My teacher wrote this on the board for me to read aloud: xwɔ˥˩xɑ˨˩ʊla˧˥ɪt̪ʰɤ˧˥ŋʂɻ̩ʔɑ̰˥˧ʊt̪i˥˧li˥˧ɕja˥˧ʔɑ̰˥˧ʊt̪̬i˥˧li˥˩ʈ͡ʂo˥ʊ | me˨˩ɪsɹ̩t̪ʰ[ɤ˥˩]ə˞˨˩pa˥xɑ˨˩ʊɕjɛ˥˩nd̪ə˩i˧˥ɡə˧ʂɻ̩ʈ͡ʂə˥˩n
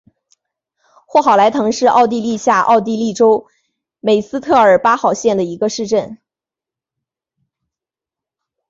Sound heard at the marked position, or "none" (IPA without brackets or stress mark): ɤ˥˩